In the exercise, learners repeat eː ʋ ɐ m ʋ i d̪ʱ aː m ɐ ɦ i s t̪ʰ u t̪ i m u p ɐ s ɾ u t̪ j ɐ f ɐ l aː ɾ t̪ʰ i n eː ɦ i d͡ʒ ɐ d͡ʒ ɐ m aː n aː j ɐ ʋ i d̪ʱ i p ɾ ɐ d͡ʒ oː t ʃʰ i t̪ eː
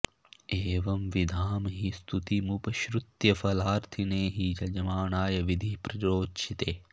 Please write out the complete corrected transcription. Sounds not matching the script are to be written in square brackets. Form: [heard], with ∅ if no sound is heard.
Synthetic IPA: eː ʋ ɐ m ʋ i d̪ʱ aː m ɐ ɦ i s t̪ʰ u t̪ i m u p ɐ [ʃ] ɾ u t̪ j ɐ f ɐ l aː ɾ t̪ʰ i n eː ɦ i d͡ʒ ɐ d͡ʒ ɐ m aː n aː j ɐ ʋ i d̪ʱ i p ɾ ɐ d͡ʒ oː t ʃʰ i t̪ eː